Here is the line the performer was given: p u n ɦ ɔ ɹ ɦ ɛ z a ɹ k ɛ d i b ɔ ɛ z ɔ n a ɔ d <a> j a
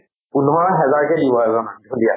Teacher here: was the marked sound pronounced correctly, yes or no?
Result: no